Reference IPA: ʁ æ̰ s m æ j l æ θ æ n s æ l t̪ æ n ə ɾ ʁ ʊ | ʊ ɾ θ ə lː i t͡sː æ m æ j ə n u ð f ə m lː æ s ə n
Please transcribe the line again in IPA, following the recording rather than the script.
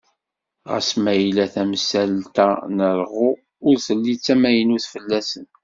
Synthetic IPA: ʁ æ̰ s m æ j l æ θ æ m s æ l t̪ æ n ə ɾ ʁ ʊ | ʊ ɾ θ ə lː i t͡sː æ m æ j ə n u θ f ə lː æ s ə n